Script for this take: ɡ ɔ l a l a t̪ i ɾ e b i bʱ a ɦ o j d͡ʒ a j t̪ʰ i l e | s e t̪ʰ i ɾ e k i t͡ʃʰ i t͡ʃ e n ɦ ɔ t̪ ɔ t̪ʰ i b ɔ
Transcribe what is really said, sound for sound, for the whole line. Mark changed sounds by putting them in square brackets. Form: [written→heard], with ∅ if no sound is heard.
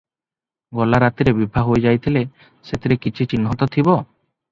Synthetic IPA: ɡ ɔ l a [l→ɾ] a t̪ i ɾ e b i bʱ a ɦ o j d͡ʒ a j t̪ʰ i l e | s e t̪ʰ i ɾ e k i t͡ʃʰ i t͡ʃ [e→i] n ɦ ɔ t̪ ɔ t̪ʰ i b ɔ